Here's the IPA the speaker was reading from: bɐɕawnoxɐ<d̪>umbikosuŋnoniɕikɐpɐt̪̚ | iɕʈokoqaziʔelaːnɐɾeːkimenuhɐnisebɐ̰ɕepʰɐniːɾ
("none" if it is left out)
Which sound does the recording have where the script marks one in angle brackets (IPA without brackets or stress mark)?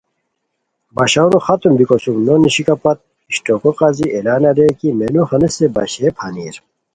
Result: t̪